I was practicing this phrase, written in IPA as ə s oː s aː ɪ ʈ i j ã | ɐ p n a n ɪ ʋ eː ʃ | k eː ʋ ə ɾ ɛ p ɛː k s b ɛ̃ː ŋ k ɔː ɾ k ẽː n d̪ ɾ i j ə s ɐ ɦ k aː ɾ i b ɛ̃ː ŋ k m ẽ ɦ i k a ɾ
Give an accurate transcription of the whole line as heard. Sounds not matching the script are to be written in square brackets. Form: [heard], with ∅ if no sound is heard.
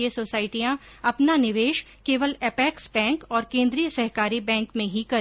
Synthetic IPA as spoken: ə s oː s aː ɪ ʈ i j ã | ɐ p n a n ɪ ʋ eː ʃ | k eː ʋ ə [l] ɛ p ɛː k s b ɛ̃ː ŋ k ɔː ɾ k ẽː n d̪ ɾ i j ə s ɐ ɦ k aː ɾ i b ɛ̃ː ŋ k m ẽ ɦ i k [ɐ] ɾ